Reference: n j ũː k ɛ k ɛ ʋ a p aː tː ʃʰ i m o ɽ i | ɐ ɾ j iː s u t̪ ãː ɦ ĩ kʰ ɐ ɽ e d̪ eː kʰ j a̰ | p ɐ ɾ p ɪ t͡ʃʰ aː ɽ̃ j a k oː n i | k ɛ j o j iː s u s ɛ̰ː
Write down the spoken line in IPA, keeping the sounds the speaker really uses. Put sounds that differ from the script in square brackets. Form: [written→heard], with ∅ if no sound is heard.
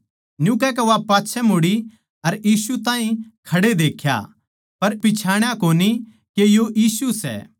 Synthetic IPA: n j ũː k ɛ k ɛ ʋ a p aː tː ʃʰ [i→ɛ] m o ɽ i | ɐ ɾ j iː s u t̪ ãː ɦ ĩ kʰ ɐ ɽ e d̪ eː kʰ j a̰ | p ɐ ɾ p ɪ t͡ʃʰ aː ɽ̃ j a k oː n i | k [ɛ→e] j o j iː s u s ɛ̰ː